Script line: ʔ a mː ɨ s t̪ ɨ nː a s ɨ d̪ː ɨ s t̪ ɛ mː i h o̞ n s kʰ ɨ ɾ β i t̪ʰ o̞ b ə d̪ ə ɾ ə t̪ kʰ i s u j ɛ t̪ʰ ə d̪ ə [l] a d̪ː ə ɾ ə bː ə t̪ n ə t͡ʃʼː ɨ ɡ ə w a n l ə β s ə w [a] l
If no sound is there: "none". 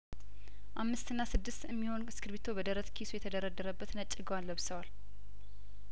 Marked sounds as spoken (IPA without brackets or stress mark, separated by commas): ɾ, a